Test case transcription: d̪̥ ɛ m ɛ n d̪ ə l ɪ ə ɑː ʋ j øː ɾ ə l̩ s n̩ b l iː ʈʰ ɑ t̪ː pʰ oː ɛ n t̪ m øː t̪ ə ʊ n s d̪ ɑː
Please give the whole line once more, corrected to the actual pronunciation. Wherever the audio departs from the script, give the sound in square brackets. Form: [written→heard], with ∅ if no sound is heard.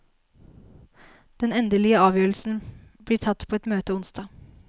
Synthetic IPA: d̪̥ ɛ [m→n] ɛ n d̪ ə l ɪ ə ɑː ʋ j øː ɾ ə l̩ s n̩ b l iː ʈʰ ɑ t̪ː pʰ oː ɛ [n→∅] t̪ m øː t̪ ə ʊ n s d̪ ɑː